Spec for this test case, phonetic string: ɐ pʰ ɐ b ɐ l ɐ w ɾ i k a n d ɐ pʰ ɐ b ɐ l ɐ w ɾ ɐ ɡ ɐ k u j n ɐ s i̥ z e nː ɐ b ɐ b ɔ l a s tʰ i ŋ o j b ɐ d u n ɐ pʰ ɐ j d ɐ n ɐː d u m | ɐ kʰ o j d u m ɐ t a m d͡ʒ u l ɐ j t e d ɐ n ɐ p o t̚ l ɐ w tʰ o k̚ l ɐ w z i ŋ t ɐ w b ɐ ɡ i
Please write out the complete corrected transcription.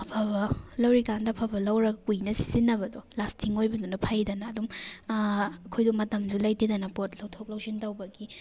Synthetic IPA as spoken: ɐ pʰ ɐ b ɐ l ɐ w ɾ i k a n d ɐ pʰ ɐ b ɐ l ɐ w ɾ ɐ ɡ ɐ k u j n ɐ s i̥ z i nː ɐ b ɐ d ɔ l a s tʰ i ŋ o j b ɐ d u n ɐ pʰ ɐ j d ɐ n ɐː d u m | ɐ kʰ o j d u m ɐ t ɐ m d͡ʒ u l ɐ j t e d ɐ n ɐ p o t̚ l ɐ w tʰ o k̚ l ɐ w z i n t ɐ w b ɐ ɡ i